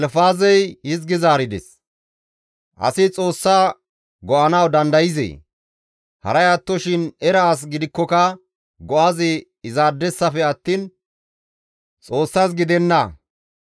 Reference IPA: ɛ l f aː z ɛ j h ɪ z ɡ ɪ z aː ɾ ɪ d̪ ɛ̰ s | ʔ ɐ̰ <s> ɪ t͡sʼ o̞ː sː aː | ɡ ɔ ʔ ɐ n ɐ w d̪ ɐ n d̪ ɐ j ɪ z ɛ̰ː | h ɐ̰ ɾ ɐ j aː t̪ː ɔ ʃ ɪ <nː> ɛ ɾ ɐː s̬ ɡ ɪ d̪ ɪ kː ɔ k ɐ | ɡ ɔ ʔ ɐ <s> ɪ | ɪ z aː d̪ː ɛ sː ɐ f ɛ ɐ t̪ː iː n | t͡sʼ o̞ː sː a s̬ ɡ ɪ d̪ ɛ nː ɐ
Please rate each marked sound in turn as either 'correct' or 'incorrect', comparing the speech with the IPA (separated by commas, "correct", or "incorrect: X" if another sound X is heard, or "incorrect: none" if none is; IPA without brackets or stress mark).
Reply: correct, incorrect: n, incorrect: z